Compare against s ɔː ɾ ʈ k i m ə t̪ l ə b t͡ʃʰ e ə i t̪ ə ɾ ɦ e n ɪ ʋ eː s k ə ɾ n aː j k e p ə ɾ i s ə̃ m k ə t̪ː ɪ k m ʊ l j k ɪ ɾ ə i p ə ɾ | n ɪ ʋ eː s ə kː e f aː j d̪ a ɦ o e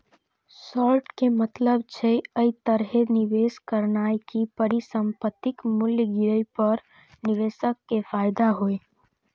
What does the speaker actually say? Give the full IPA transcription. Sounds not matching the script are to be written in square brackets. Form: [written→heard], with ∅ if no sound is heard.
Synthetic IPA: s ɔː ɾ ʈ k [i→e] m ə t̪ l ə b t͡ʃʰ e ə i t̪ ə ɾ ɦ e n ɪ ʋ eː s k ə ɾ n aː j k [e→i] p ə ɾ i s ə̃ m [k→p] ə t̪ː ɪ k m ʊ l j [k→ɡ] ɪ ɾ ə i p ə ɾ | n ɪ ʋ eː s ə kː e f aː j d̪ a ɦ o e